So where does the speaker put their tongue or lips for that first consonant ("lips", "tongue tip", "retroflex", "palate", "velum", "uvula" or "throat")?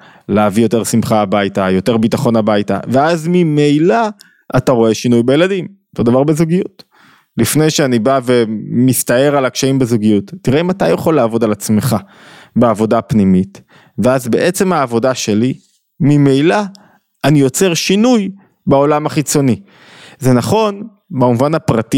tongue tip